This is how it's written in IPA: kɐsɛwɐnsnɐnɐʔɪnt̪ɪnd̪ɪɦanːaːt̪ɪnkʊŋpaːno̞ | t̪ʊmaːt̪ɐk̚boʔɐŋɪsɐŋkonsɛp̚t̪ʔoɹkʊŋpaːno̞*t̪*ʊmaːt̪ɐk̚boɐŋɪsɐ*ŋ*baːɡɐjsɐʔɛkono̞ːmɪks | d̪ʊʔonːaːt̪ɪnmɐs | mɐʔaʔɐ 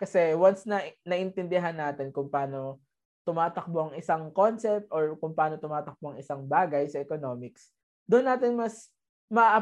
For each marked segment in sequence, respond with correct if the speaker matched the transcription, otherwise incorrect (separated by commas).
correct, correct